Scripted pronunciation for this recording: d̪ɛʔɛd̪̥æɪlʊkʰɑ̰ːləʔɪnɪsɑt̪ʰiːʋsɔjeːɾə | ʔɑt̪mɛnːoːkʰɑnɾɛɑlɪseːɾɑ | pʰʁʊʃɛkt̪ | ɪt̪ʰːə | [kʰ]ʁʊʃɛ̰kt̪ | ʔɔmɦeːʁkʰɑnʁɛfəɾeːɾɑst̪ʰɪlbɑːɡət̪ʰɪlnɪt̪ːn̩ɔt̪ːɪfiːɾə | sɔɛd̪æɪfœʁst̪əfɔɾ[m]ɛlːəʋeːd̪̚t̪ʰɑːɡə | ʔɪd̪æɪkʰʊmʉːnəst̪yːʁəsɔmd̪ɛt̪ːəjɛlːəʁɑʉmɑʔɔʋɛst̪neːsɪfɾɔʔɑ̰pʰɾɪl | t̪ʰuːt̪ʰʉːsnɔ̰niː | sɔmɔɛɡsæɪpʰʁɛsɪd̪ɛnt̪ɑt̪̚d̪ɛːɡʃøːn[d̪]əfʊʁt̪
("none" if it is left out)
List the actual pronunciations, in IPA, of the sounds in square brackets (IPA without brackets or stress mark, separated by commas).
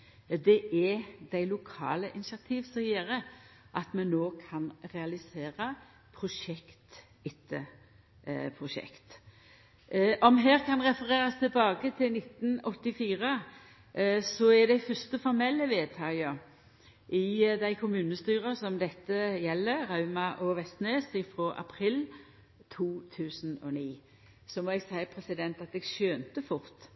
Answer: pʰ, m, t̪